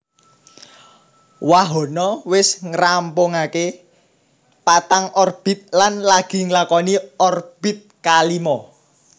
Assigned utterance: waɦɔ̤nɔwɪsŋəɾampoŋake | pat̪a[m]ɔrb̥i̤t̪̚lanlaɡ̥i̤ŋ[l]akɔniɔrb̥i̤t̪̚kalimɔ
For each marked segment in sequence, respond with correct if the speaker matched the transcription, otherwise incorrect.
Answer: incorrect: ŋ, correct

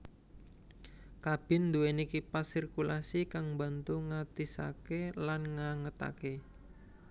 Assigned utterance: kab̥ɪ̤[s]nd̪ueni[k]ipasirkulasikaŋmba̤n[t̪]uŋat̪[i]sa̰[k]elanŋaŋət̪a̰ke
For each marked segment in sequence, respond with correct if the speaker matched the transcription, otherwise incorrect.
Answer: incorrect: none, correct, correct, correct, correct

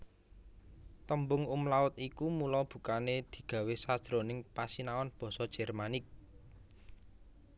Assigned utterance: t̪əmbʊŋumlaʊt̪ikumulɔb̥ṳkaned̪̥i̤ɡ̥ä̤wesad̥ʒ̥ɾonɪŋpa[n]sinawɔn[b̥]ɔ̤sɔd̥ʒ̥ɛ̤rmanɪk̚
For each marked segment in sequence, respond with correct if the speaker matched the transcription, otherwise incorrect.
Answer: incorrect: none, correct

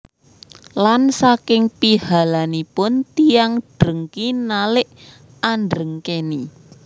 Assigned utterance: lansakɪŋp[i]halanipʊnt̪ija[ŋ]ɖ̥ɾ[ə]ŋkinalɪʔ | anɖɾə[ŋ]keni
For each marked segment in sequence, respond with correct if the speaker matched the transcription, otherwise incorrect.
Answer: correct, correct, correct, correct

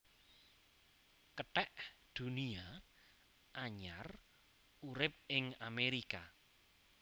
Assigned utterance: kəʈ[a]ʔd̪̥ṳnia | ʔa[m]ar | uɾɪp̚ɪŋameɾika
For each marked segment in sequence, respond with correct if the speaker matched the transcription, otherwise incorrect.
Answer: incorrect: ɛ, incorrect: ɲ

